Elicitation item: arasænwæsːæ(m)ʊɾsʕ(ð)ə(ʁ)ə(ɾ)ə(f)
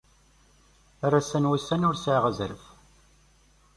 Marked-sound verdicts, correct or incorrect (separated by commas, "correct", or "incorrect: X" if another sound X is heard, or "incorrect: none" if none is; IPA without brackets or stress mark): incorrect: n, incorrect: ʁ, incorrect: z, correct, correct